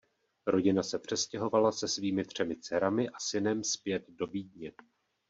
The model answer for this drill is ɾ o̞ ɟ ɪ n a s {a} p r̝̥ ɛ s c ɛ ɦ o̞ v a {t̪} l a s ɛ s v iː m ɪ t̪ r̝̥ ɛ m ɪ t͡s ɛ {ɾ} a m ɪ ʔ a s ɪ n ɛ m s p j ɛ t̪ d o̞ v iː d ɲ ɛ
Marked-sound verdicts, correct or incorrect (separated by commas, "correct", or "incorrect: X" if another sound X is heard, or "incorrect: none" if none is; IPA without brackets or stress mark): incorrect: ɛ, incorrect: none, correct